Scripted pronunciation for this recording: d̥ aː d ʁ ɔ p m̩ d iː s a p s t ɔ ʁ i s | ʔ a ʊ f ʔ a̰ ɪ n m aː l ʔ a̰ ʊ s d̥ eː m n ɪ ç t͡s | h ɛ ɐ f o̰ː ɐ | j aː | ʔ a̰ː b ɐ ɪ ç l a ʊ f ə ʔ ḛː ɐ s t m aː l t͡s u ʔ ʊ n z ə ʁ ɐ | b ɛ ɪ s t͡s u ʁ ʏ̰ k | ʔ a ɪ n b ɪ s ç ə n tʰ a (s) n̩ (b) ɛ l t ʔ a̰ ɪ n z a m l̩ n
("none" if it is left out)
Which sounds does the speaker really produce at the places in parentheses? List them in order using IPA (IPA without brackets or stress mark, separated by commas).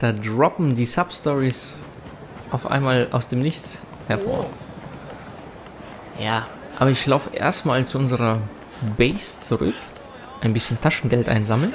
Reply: ʃ, ɡ